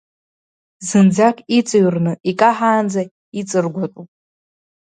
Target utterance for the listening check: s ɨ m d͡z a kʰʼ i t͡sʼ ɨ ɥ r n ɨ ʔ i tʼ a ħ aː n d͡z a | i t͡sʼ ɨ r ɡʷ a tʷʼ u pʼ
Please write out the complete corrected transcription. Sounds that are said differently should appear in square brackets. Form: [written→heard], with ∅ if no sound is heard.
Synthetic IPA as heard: [s→z] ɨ [m→n] d͡z a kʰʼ i t͡sʼ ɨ ɥ r n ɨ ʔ i [tʼ→kʼ] a ħ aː n d͡z a | i t͡sʼ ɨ r ɡʷ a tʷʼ u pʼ